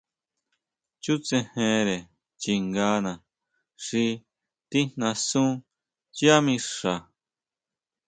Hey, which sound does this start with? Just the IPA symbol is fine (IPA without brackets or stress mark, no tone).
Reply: t͡ʃ